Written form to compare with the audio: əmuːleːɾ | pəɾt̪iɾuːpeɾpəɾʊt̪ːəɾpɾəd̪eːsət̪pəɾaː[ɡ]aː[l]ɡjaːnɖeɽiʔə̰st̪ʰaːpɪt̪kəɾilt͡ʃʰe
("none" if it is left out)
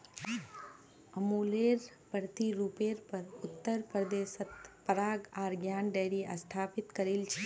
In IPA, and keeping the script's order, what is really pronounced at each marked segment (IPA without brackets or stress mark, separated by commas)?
ɡ, ɾ